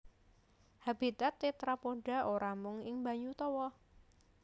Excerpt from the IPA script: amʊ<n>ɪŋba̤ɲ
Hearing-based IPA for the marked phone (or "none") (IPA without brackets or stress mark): ŋ